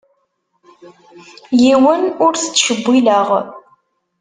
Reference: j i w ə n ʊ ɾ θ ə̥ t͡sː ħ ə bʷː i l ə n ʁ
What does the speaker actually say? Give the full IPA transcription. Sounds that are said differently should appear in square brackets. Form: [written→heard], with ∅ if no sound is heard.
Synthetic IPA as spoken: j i w ə n ʊ ɾ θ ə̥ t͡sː [ħ→ʃ] ə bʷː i l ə [n→∅] ʁ